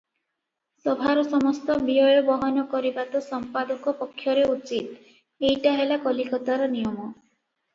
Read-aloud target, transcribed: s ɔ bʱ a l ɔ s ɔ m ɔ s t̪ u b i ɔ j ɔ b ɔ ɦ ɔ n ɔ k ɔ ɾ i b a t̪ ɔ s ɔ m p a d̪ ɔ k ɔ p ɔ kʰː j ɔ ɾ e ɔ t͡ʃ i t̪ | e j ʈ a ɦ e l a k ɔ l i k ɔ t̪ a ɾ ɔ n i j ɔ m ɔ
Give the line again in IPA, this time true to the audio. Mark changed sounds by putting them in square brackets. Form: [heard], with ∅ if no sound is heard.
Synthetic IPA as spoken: s ɔ bʱ a [ɾ] ɔ s ɔ m ɔ s t̪ [ɔ] b i ɔ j ɔ b ɔ ɦ ɔ n ɔ k ɔ ɾ i b a t̪ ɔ s ɔ m p a d̪ ɔ k ɔ p ɔ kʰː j ɔ ɾ e [u] t͡ʃ i t̪ | e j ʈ a ɦ e l a k ɔ l i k ɔ t̪ a ɾ ɔ n i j ɔ m ɔ